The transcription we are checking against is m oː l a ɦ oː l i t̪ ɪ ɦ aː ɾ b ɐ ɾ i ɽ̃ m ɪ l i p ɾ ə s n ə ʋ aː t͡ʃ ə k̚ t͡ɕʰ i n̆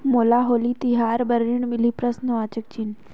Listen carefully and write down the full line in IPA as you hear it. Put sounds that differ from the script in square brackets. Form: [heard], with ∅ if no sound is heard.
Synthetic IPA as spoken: m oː l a ɦ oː l i t̪ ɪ ɦ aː ɾ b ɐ ɾ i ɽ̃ m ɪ l i p ɾ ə s n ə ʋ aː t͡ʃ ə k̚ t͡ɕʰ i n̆